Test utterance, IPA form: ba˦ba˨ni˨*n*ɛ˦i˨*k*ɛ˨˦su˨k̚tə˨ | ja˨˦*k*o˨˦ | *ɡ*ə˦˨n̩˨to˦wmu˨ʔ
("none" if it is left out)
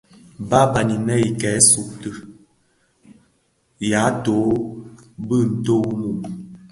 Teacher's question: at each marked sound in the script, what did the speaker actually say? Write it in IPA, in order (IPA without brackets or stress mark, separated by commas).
n, k, t, b